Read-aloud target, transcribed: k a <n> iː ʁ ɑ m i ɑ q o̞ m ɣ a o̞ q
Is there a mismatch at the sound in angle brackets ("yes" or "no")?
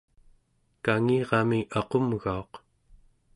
yes